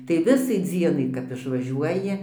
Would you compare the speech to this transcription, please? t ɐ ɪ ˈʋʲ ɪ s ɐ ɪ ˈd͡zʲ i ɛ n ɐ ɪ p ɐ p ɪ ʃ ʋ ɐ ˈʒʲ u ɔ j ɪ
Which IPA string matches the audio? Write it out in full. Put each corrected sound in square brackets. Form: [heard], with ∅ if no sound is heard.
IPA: t ɐ ɪ ˈʋʲ ɪ s ɐ ɪ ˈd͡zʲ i ɛ n ɐ ɪ [k] ɐ p ɪ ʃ ʋ ɐ ˈʒʲ u ɔ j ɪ